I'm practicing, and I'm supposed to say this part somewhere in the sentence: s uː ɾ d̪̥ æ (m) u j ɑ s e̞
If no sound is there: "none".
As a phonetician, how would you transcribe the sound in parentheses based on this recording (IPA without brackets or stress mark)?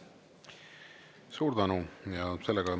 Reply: n